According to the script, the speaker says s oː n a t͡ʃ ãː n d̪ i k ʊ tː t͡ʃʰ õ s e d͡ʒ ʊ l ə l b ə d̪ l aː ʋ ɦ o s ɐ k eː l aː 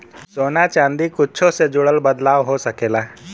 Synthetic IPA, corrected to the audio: s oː n a t͡ʃ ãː n d̪ i k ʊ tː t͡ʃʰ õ s e d͡ʒ ʊ ɽ ə l b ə d̪ l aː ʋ ɦ o s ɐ k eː l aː